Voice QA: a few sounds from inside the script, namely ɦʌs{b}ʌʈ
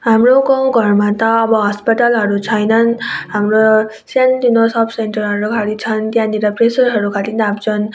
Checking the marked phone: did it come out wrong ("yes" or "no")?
yes